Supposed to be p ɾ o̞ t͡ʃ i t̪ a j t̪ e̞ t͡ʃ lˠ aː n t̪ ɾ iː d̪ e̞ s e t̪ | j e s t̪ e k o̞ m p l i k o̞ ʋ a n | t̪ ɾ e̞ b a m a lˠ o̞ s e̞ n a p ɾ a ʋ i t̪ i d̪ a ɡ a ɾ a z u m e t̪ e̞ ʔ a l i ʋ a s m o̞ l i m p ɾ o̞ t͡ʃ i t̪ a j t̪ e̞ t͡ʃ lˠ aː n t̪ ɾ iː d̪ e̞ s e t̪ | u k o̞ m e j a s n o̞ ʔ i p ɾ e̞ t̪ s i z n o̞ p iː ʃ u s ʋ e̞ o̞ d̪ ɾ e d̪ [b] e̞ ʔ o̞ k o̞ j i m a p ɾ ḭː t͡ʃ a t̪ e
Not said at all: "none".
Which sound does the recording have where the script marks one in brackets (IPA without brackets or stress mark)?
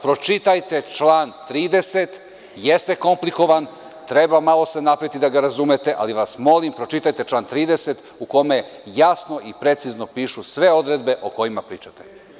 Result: b